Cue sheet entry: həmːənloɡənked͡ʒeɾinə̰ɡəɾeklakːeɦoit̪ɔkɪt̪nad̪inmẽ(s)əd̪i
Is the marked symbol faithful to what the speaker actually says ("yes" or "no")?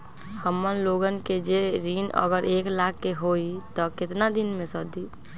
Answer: yes